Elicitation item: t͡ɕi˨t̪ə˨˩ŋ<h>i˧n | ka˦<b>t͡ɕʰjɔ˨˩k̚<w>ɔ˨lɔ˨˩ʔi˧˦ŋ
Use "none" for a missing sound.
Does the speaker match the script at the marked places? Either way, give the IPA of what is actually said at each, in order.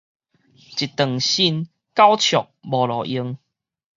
ɕ, w, b

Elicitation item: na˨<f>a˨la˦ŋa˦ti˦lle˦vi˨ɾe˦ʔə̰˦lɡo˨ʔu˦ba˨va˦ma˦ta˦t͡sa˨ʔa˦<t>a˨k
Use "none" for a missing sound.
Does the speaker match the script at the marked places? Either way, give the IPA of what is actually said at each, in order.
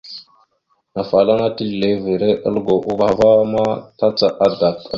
f, d

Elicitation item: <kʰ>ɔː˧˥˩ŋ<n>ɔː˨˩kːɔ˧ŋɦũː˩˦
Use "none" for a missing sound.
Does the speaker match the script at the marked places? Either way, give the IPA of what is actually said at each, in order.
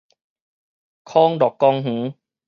kʰ, d

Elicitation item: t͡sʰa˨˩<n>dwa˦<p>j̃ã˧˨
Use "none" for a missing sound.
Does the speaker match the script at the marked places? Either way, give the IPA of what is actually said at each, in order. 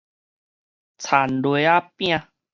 n, p

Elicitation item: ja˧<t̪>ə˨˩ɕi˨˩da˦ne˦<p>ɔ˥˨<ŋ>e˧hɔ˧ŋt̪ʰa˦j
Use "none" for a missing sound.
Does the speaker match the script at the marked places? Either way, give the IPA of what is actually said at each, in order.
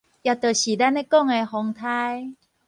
t̪, k, ŋ

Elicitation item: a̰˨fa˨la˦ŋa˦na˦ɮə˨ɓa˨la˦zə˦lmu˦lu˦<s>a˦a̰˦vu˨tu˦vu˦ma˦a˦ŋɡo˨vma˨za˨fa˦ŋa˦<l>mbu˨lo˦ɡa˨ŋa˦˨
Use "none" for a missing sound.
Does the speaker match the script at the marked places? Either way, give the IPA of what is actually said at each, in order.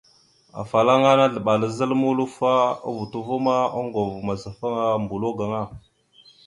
f, none

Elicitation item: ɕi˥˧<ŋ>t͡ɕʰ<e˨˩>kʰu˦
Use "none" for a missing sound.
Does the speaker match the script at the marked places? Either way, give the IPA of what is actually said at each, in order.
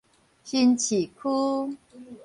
n, i˨˩

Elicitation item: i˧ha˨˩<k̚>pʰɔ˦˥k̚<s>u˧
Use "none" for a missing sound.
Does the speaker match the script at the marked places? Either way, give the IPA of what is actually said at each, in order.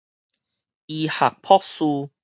k̚, s

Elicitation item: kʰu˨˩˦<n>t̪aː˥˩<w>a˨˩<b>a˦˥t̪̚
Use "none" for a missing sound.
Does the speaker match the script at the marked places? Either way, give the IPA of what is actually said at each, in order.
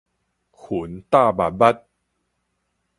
n, b, b

